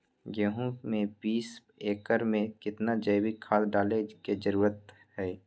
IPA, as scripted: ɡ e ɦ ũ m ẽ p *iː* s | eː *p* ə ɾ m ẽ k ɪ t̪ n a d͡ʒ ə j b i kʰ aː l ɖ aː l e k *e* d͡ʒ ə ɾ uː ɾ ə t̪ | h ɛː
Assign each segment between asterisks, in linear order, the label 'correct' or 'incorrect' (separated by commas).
correct, incorrect, correct